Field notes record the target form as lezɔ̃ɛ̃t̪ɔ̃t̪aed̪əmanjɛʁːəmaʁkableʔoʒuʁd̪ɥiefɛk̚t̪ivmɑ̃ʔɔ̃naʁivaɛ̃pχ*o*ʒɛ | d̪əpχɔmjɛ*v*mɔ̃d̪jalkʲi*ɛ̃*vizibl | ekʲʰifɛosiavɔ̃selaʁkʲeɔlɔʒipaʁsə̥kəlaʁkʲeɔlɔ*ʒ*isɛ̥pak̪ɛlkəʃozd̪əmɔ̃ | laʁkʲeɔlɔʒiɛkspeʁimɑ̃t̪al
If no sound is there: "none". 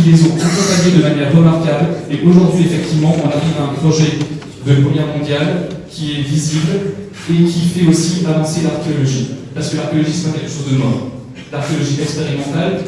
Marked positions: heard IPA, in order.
ɔ, ʁ, ɛ, ʒ

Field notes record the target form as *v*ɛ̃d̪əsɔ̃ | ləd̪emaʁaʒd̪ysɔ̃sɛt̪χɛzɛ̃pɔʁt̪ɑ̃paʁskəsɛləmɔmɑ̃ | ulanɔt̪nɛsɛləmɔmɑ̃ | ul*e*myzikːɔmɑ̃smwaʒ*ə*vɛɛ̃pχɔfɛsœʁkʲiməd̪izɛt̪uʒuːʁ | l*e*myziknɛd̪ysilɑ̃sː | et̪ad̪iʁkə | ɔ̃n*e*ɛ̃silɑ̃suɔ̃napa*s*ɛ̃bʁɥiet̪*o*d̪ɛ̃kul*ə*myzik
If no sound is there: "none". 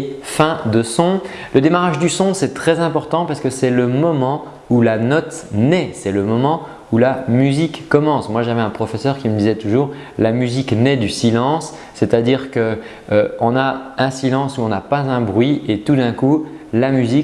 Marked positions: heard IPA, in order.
f, a, a, a, a, z, u, a

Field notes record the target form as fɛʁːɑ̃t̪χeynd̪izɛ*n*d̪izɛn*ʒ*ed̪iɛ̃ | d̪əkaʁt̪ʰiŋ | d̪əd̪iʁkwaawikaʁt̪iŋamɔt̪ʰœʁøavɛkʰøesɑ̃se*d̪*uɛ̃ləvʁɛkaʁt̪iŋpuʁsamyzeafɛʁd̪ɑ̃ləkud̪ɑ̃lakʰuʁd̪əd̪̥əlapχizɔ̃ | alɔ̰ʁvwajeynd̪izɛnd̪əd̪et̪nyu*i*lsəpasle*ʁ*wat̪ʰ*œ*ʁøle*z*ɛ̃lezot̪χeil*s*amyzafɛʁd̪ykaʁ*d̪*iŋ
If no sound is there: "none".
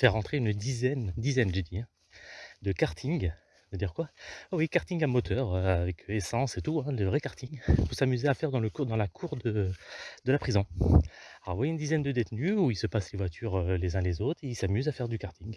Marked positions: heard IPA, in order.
n, ʒ, t̪, i, v, y, z, s, t̪

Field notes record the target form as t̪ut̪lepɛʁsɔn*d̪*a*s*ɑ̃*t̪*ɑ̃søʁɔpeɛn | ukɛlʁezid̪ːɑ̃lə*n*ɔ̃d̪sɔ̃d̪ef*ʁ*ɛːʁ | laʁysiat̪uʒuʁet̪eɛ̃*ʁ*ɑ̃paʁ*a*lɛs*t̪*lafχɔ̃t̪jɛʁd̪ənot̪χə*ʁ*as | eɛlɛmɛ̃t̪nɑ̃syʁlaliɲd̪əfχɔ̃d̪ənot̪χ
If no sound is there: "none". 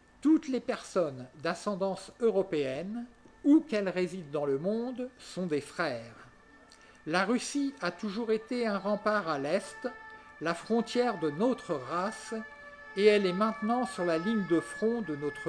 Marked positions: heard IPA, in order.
d̪, s, d̪, m, χ, ʁ, a, t̪, ʁ

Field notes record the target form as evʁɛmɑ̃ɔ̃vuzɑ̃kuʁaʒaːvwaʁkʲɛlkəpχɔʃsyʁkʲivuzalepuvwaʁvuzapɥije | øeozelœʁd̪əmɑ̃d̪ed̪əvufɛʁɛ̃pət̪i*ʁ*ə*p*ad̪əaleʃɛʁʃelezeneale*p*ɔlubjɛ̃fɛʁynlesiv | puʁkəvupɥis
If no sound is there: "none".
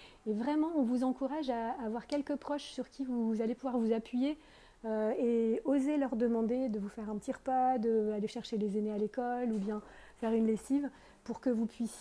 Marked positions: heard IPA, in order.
ʁ, p, k

